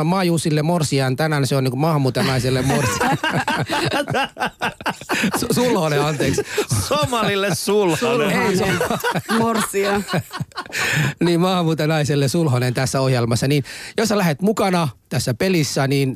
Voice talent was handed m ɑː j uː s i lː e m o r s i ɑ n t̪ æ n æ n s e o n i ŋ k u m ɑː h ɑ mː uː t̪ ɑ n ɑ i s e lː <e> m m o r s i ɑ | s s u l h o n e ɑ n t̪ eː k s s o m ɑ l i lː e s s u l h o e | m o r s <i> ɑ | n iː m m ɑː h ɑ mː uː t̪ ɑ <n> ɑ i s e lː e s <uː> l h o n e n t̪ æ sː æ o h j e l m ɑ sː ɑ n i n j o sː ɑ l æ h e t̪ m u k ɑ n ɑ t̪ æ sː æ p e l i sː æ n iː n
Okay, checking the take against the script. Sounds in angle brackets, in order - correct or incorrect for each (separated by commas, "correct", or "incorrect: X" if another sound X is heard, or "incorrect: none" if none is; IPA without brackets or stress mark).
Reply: correct, correct, correct, incorrect: u